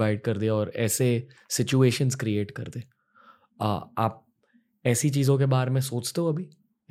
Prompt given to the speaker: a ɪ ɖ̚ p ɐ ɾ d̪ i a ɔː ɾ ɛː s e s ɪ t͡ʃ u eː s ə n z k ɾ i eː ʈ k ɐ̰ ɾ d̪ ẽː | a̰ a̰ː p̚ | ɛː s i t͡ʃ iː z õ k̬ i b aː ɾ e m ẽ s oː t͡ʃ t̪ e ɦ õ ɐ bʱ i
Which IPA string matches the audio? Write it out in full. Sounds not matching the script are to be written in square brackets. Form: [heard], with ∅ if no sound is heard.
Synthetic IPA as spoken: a ɪ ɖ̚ [k] ɐ ɾ d̪ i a ɔː ɾ ɛː s e s ɪ t͡ʃ u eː [ʃ] ə n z k ɾ i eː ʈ k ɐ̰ ɾ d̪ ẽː | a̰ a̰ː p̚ | ɛː s i t͡ʃ iː z õ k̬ [e] b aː ɾ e m ẽ s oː t͡ʃ t̪ e ɦ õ ɐ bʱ i